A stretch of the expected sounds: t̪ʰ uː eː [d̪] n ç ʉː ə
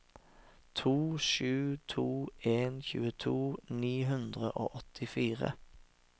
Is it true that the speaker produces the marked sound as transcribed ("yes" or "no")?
no